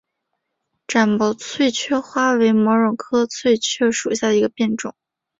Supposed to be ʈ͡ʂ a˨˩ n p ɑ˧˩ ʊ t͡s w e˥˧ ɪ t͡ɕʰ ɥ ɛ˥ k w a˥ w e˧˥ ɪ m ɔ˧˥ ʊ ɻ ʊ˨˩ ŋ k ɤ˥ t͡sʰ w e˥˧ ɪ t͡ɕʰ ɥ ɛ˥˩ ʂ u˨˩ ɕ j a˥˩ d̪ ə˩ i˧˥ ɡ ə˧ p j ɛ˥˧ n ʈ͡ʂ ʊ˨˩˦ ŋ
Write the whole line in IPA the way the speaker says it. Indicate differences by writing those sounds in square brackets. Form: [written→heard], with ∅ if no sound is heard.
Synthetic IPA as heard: ʈ͡ʂ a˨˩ n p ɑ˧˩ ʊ [t͡s→t͡sʰ] w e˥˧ ɪ t͡ɕʰ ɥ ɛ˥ [k→x] w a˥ w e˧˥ ɪ m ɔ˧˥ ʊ ɻ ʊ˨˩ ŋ [k→kʰ] ɤ˥ t͡sʰ w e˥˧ ɪ t͡ɕʰ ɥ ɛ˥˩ ʂ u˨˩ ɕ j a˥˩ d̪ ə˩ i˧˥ ɡ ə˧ p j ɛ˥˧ n ʈ͡ʂ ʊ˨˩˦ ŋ